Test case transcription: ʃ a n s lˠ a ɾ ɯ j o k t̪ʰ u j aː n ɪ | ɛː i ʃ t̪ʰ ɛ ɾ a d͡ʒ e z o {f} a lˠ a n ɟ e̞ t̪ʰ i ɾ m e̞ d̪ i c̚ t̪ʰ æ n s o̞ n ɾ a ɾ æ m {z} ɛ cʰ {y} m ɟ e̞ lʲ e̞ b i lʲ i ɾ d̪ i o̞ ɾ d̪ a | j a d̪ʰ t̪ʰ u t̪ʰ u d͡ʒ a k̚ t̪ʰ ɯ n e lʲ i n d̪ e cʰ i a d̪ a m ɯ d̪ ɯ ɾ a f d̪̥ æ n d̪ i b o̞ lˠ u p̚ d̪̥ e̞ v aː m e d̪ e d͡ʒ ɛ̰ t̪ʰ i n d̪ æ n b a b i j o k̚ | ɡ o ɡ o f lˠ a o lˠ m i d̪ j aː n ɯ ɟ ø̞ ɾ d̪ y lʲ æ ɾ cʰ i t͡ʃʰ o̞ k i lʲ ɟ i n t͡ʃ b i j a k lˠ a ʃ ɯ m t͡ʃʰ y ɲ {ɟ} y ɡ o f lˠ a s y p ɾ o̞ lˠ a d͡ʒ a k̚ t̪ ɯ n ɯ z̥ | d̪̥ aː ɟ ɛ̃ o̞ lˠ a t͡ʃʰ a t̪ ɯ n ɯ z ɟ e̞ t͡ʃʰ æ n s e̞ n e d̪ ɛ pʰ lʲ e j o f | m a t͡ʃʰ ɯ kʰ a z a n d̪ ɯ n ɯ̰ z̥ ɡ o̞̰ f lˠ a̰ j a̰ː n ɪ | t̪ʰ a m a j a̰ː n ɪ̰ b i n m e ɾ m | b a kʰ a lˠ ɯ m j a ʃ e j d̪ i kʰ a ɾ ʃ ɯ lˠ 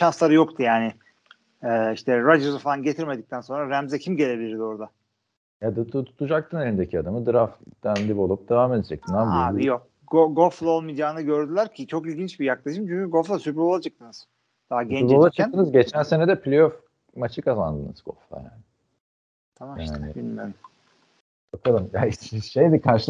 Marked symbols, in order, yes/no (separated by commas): yes, yes, no, no